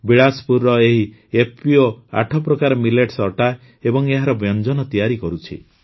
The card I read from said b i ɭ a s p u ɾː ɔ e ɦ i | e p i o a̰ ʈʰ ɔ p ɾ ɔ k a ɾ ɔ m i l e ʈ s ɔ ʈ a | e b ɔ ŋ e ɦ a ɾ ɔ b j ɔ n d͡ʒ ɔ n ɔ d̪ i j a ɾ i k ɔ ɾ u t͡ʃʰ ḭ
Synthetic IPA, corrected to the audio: b i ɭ a s p u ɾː ɔ e ɦ i | e p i o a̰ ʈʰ ɔ p ɾ ɔ k a ɾ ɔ m i l e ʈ s ɔ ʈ a | e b ɔ ŋ e ɦ a ɾ ɔ b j ɔ n d͡ʒ ɔ n ɔ t̪ i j a ɾ i k ɔ ɾ u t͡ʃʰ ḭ